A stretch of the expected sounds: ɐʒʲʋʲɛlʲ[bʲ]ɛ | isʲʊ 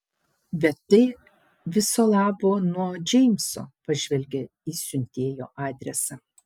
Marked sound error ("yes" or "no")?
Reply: yes